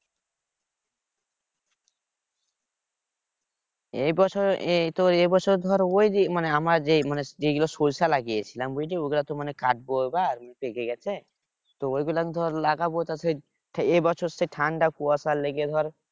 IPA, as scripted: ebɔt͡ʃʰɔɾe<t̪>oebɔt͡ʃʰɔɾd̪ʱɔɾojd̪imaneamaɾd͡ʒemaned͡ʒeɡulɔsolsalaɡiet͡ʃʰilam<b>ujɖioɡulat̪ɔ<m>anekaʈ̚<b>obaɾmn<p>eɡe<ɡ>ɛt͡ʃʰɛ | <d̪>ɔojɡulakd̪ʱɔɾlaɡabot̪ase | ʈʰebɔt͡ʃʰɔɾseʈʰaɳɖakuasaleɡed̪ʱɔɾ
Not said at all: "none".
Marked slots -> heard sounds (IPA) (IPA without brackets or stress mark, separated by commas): t̪, b, m, b, p, ɡ, t̪